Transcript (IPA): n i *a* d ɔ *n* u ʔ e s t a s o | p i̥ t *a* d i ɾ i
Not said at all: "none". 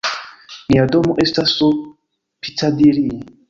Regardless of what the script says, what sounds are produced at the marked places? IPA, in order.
a, m, a

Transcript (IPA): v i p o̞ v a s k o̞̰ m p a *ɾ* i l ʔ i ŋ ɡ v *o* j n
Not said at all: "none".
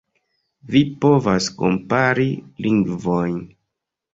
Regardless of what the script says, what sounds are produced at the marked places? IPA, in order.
ɾ, o

